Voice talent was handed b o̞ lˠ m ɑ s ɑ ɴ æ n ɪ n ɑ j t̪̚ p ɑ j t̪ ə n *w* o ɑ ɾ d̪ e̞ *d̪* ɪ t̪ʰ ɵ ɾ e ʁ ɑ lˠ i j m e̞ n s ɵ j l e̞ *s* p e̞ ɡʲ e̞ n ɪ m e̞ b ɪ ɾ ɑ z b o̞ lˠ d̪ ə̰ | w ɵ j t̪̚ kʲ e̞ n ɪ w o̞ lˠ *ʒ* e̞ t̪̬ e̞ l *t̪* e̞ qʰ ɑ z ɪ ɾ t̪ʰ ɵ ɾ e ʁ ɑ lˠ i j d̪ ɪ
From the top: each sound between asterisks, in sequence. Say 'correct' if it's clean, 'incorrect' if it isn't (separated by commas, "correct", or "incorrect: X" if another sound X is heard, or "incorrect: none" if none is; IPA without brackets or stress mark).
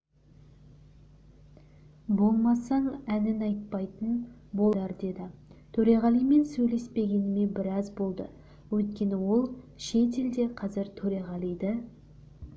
incorrect: b, correct, correct, incorrect: ʃ, incorrect: d̪